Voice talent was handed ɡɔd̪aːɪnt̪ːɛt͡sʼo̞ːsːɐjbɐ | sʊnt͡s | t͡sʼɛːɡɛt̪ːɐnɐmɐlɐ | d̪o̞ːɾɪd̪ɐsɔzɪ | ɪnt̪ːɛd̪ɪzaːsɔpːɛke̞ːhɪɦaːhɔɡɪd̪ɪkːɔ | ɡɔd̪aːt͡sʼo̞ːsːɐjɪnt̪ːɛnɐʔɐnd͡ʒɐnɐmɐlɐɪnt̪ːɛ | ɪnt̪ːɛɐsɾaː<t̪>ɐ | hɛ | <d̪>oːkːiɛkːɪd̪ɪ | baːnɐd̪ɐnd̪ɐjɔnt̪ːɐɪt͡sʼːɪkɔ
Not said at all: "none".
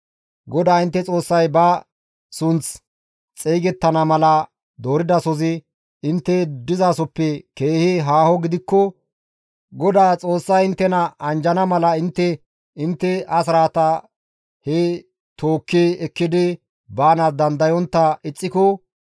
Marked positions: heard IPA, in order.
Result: t̪, t̪

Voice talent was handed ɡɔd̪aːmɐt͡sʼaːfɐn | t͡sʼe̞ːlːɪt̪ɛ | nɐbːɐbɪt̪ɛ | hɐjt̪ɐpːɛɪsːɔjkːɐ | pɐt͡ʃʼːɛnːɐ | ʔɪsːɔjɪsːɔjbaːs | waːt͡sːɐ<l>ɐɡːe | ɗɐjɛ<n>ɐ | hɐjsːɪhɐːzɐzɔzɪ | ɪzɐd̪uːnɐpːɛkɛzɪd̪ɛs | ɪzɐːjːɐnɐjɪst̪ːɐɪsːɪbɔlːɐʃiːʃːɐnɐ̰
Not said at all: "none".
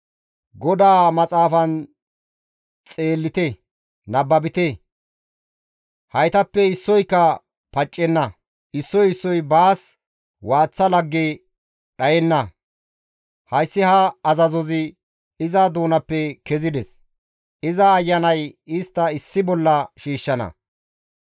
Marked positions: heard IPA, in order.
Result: l, nː

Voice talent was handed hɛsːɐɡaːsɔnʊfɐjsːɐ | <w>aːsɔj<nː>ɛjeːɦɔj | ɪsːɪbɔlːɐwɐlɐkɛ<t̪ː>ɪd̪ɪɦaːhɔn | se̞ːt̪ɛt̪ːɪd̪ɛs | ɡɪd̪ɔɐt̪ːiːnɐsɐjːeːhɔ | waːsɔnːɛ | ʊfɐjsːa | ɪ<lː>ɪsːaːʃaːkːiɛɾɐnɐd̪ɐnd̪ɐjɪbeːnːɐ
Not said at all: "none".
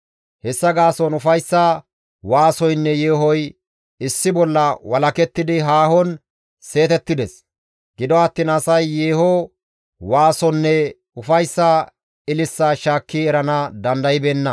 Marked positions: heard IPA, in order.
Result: w, nː, t̪ː, l

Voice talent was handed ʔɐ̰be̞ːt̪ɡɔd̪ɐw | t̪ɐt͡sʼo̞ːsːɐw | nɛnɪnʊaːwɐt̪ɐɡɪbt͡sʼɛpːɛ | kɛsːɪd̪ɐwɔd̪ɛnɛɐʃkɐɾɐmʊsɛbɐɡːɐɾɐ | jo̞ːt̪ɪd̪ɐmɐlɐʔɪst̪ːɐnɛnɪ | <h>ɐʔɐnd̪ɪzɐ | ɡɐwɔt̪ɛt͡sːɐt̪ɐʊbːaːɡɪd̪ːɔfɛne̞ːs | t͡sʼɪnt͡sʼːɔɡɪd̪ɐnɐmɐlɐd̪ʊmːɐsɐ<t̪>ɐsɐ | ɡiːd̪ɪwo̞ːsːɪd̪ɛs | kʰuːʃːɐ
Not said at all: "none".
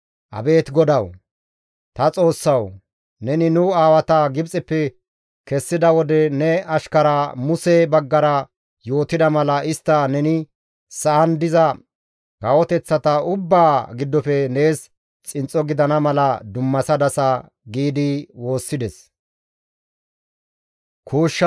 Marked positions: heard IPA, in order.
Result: s, d̪

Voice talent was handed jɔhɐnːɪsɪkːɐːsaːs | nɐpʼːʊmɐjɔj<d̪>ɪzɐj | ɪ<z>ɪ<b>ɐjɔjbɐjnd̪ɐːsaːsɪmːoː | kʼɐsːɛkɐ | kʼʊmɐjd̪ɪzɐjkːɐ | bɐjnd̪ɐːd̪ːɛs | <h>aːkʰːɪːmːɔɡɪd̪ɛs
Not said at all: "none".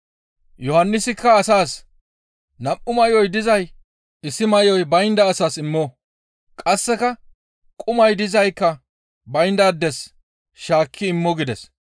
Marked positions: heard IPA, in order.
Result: d̪, s, m, ʃ

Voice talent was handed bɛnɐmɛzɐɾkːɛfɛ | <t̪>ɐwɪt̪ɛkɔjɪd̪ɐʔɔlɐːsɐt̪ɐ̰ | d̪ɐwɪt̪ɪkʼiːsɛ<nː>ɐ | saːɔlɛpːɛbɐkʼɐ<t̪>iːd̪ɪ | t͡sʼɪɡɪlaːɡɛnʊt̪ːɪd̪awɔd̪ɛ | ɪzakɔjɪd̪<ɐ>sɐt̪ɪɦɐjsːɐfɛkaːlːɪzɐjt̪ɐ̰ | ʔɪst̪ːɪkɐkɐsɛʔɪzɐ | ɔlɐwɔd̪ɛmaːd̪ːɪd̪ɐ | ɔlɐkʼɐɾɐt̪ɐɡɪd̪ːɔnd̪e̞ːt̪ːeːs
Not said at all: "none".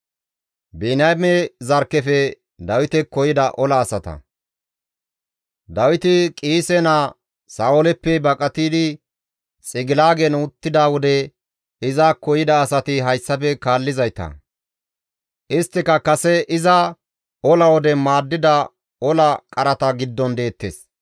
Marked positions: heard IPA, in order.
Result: d̪, n, t̪, ɐː

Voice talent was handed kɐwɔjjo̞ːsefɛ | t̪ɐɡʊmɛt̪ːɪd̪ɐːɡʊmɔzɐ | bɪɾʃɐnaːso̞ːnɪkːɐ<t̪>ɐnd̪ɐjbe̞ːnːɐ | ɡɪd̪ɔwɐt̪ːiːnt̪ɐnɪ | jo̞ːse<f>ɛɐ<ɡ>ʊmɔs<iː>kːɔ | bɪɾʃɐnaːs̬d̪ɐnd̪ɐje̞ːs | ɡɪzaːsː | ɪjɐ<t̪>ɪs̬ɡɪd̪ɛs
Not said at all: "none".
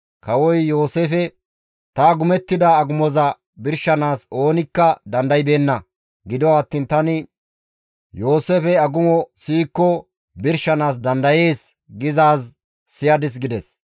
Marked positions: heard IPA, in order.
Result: d̪, f, ɡ, iː, d̪

